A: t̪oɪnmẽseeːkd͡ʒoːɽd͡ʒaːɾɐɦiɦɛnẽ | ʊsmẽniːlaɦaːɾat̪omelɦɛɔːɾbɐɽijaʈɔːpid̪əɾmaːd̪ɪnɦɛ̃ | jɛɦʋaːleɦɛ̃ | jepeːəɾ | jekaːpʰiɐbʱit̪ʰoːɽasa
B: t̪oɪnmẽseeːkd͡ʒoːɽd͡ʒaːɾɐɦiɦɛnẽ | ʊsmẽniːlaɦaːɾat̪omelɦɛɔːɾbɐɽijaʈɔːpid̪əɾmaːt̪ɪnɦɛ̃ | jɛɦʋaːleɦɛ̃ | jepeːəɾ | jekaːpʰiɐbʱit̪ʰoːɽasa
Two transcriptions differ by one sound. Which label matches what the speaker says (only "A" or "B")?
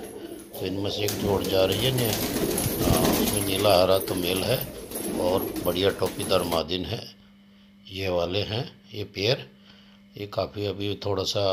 A